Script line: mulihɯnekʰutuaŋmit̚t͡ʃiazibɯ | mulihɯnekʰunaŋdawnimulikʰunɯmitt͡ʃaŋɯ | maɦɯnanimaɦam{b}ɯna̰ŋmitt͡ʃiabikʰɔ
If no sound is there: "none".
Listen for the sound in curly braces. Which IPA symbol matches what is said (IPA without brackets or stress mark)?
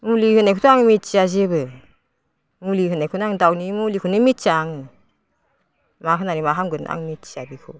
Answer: ɡ